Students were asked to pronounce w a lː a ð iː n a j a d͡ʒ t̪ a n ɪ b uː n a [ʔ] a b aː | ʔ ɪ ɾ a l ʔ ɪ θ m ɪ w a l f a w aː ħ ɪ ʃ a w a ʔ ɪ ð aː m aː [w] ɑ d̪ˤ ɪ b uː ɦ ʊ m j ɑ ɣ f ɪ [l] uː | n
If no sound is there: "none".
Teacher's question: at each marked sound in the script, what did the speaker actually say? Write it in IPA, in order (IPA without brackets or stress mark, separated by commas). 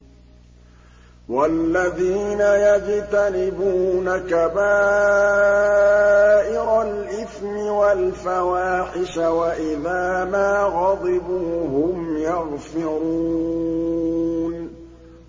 k, ɣ, ɾ